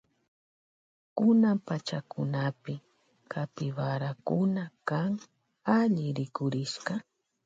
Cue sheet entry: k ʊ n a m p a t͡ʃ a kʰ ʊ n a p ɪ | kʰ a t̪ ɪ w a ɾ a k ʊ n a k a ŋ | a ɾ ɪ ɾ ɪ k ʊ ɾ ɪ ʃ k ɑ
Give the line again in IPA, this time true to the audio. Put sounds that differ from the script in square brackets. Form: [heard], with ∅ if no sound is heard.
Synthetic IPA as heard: k ʊ n a m p a t͡ʃ a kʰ ʊ n a p ɪ | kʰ a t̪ ɪ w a ɾ a k ʊ n a k a ŋ | a [ʎ] ɪ ɾ ɪ k ʊ ɾ ɪ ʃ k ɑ